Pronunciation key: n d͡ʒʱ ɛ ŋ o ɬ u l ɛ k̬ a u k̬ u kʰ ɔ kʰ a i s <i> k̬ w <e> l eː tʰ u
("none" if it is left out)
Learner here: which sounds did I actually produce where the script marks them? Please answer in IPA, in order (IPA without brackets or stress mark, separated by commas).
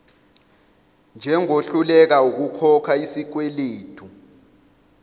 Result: i, e